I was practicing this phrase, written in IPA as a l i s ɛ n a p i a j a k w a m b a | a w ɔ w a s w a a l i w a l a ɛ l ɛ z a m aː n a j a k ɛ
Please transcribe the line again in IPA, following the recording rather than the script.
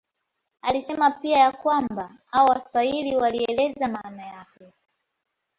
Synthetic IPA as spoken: a l i s ɛ m a p i a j a k w a m b a | a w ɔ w a s w a i l i w a l i ɛ l ɛ z a m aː n a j a k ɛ